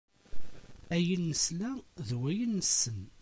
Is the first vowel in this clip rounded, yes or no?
no